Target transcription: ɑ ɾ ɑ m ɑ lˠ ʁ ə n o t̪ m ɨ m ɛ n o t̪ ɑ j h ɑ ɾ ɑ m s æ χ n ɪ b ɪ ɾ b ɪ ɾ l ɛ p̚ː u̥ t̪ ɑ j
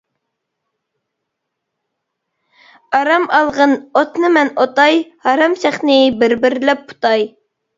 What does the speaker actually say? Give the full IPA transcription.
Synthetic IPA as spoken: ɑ ɾ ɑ m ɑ lˠ ʁ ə n o t̪ n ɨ m ɛ n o t̪ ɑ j h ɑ ɾ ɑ m s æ χ n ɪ b ɪ ɾ b ɪ ɾ l ɛ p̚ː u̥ t̪ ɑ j